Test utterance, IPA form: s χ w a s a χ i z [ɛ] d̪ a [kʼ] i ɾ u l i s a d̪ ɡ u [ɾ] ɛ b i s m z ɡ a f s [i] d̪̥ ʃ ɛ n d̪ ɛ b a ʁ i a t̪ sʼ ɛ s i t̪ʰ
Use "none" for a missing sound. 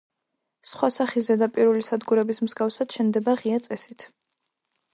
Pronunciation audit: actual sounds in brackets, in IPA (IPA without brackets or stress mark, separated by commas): ɛ, pʼ, ɾ, a